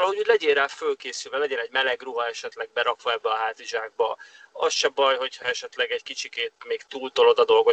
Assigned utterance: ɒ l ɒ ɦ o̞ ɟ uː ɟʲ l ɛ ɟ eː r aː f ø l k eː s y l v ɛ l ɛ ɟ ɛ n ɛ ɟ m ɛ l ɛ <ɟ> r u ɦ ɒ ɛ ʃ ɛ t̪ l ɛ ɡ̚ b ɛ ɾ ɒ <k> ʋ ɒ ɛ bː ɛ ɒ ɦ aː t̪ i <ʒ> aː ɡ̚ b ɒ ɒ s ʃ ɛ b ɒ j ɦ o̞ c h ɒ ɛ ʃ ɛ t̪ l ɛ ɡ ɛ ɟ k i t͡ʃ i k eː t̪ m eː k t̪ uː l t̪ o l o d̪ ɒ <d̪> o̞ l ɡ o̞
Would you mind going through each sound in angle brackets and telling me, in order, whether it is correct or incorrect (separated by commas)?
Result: incorrect, correct, correct, correct